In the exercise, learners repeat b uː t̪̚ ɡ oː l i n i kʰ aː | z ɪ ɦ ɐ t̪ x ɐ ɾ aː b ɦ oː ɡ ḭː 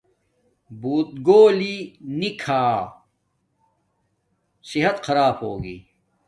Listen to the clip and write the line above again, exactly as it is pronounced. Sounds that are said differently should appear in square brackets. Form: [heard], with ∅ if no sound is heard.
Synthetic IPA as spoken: b uː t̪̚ ɡ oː l i n i kʰ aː | [s] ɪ ɦ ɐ t̪ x ɐ ɾ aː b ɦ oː ɡ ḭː